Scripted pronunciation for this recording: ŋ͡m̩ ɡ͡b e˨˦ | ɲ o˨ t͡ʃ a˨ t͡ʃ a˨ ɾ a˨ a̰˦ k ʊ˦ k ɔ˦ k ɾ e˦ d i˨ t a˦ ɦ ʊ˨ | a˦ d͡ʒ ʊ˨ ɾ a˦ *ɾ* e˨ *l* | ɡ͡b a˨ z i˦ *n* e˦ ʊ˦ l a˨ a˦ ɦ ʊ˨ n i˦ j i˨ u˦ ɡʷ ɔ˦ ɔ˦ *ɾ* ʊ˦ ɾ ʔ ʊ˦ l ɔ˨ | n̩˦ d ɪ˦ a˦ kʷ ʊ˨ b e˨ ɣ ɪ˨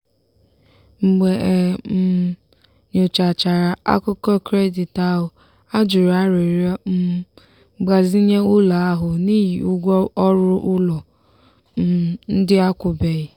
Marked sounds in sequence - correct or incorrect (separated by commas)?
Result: correct, incorrect, incorrect, correct